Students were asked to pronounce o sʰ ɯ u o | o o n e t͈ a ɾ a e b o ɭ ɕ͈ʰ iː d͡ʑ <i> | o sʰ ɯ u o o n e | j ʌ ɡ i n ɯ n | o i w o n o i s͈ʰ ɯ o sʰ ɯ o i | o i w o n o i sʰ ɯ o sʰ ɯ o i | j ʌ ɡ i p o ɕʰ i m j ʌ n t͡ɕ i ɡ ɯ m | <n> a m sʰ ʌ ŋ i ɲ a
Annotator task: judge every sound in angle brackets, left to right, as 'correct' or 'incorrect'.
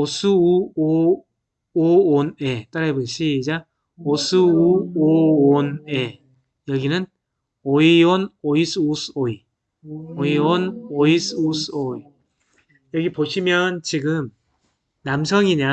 incorrect: a, correct

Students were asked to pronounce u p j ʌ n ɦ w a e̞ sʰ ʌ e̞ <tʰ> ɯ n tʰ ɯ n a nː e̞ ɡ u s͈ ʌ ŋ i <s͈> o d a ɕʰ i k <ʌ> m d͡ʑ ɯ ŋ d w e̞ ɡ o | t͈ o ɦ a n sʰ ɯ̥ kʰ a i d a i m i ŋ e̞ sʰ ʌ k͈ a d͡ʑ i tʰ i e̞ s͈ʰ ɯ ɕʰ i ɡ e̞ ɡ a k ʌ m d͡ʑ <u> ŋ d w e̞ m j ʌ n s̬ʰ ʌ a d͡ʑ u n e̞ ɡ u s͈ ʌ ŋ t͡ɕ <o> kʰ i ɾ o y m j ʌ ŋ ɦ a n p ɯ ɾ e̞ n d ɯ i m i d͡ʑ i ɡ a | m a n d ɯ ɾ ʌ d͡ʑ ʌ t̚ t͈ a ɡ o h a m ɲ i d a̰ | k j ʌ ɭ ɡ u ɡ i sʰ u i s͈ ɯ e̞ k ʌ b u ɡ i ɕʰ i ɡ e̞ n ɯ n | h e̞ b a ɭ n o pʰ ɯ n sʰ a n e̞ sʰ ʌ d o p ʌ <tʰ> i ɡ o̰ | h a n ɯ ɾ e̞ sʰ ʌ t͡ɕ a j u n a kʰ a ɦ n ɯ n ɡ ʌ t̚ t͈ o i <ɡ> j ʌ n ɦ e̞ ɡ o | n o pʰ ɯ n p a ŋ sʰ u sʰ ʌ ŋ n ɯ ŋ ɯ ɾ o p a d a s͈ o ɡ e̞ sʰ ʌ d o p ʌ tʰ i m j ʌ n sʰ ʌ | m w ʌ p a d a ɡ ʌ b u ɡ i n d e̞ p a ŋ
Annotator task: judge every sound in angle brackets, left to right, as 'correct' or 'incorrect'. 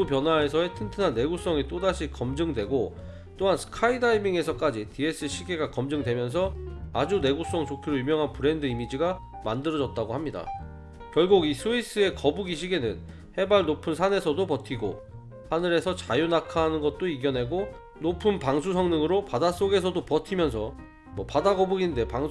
correct, incorrect: t͈, correct, incorrect: ɯ, correct, correct, correct

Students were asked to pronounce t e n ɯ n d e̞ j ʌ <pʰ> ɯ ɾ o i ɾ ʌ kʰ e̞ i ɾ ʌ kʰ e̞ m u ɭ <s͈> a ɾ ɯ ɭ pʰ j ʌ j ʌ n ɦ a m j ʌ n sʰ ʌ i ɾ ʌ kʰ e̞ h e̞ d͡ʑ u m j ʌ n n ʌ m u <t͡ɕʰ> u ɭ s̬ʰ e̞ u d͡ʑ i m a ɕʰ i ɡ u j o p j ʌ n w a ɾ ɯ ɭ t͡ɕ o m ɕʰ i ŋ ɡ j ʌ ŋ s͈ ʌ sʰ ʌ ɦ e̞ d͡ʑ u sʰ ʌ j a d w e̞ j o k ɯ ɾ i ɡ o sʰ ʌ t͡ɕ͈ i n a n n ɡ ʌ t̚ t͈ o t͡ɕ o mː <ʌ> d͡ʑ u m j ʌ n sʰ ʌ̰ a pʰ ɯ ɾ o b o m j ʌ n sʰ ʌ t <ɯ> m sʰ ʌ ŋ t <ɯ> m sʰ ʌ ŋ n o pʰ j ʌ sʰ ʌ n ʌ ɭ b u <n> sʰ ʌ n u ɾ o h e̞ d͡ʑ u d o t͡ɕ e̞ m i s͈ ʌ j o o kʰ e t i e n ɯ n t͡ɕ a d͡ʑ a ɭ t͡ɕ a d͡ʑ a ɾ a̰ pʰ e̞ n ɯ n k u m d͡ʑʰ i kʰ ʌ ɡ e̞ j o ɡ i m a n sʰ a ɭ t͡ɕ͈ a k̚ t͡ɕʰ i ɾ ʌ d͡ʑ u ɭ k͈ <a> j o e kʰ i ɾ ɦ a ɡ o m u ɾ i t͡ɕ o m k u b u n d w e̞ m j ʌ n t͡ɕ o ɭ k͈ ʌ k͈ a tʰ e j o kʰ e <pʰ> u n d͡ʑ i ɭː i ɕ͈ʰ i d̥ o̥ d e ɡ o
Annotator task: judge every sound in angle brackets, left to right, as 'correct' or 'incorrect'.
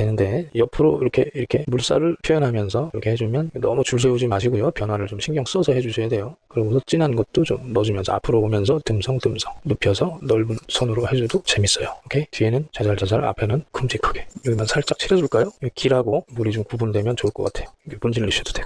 correct, correct, incorrect: t͡ɕ, correct, correct, correct, correct, correct, incorrect: p

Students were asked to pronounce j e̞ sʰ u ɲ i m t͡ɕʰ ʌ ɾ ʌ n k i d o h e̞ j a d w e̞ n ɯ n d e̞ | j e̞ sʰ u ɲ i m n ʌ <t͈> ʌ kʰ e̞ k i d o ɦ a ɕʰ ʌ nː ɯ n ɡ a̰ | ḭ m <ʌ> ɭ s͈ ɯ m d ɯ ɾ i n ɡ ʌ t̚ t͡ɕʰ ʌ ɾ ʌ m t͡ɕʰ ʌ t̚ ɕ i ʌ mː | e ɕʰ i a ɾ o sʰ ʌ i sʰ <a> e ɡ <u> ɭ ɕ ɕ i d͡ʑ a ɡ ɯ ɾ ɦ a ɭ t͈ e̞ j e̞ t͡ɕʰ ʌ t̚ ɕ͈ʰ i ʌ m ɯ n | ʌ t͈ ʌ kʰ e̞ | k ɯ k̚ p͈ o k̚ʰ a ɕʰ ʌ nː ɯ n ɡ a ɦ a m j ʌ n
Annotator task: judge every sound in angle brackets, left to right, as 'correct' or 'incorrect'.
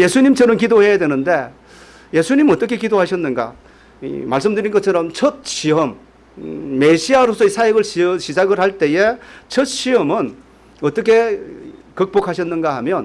correct, incorrect: a, correct, incorrect: ɯ

